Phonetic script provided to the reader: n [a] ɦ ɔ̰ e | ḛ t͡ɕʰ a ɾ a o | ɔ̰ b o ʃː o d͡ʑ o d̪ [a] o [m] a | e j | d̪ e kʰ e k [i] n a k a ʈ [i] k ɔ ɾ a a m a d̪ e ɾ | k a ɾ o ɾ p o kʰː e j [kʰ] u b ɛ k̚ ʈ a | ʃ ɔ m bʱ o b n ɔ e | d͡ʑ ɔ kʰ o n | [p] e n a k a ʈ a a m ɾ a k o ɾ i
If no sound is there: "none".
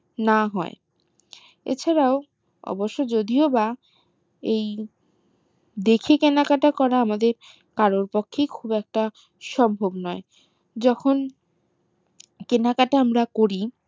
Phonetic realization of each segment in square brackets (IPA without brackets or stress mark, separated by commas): a, i, b, e, a, kʰ, k